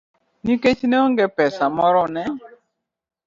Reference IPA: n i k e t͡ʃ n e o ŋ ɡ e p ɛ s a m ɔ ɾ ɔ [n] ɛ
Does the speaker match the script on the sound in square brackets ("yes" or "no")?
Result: yes